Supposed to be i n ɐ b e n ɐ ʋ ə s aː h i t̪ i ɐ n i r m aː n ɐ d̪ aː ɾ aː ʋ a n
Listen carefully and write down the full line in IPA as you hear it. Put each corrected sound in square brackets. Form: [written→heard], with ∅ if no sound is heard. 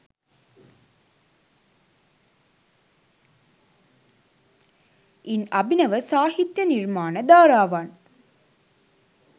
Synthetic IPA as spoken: i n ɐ b [e→i] n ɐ ʋ ə s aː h i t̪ [i→j] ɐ n i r m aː n [ɐ→ə] d̪ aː ɾ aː ʋ a n